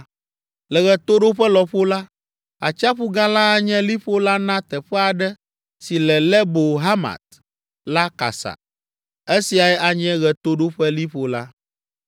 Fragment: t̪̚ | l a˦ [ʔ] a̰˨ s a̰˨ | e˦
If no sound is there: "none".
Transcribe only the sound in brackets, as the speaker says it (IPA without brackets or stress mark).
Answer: k